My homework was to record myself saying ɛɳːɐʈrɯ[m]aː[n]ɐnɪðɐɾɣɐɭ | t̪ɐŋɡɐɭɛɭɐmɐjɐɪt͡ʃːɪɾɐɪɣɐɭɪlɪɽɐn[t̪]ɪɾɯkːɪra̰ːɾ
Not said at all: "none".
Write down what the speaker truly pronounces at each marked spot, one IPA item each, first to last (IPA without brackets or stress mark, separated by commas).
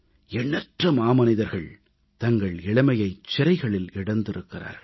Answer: m, m, d̪